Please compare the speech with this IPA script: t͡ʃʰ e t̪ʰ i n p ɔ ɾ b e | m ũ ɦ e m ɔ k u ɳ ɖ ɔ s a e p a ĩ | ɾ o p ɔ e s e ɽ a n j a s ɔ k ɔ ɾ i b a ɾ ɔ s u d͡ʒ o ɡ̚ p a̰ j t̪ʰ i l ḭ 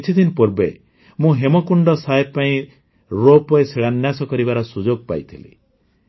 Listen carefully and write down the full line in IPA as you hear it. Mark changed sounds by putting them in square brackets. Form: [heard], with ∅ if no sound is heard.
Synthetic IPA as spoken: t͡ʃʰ [i] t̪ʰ i n p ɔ ɾ b e | m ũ ɦ e m ɔ k u ɳ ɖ ɔ s a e p a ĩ | ɾ o p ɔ e s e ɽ a n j a s ɔ k ɔ ɾ i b a ɾ ɔ s u d͡ʒ o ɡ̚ p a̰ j t̪ʰ i l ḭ